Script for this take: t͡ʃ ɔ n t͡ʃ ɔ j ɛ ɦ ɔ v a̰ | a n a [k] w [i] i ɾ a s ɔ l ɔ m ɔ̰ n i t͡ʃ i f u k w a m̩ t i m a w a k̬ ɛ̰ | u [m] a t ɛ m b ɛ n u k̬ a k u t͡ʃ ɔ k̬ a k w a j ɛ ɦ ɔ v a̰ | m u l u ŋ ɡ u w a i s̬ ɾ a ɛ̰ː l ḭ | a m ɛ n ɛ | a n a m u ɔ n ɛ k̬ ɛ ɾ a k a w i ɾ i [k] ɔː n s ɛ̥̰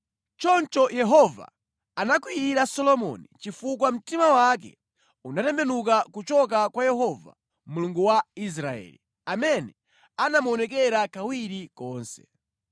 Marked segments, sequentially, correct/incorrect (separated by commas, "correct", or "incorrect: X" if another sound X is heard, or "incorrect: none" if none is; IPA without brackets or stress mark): correct, correct, incorrect: n, correct